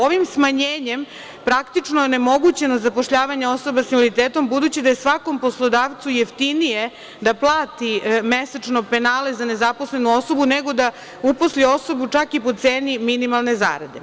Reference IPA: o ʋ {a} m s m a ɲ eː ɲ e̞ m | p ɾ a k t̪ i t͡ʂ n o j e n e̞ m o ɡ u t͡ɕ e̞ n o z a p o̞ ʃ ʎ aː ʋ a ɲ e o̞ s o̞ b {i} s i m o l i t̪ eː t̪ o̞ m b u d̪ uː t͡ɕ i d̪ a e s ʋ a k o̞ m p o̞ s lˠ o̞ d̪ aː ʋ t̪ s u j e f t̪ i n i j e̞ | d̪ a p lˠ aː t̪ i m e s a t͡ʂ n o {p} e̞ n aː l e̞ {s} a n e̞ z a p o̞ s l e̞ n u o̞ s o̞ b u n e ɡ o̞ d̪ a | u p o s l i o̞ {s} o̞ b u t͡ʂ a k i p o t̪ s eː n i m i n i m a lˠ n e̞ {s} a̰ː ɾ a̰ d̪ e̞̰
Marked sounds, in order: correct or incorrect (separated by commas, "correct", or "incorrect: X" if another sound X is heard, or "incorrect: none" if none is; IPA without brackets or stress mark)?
incorrect: i, incorrect: a, correct, incorrect: z, correct, incorrect: z